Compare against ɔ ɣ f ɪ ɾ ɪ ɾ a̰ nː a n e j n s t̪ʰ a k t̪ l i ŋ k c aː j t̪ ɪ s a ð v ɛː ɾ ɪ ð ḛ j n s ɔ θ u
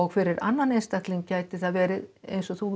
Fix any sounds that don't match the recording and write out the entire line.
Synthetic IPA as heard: ɔ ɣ f ɪ ɾ ɪ ɾ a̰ nː a n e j n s t̪ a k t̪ l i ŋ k c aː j t̪ ɪ θ a ð v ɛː ɾ ɪ ð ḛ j n s ɔ θ u